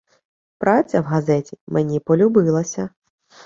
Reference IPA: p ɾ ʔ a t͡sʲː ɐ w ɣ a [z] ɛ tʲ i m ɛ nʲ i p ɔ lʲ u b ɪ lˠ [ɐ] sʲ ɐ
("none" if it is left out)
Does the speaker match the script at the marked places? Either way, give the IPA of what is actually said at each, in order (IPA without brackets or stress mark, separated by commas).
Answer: z, ɐ